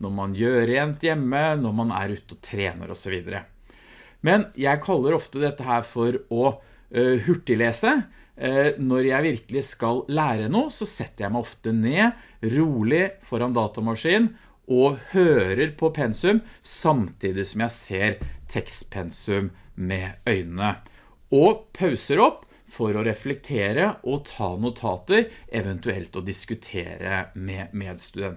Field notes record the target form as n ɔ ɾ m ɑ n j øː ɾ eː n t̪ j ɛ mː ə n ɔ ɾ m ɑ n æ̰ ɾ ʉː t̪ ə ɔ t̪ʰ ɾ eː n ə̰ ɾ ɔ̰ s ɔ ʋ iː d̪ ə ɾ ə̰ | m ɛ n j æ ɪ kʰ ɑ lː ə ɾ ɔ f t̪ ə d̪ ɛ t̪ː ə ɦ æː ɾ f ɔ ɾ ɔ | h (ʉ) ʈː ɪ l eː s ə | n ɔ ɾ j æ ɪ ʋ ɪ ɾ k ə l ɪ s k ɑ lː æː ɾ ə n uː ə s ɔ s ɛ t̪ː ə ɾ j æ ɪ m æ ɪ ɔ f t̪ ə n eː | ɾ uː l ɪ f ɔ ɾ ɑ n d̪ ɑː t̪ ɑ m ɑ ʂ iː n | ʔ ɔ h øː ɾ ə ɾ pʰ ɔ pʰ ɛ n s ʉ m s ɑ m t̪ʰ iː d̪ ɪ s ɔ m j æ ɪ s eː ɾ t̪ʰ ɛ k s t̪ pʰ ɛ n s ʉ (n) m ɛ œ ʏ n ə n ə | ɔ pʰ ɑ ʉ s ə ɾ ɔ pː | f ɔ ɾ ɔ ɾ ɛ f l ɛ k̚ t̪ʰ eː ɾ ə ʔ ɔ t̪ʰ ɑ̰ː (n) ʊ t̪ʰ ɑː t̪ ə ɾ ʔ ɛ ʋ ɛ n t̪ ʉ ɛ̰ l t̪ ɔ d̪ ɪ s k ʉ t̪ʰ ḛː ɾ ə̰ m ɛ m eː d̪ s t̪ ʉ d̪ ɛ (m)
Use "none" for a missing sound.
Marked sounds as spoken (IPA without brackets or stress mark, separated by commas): ʉ, m, n, n